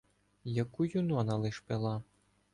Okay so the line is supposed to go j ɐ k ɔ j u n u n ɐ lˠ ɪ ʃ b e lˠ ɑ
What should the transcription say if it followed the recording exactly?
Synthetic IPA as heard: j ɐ k u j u n ɔ n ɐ lˠ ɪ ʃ p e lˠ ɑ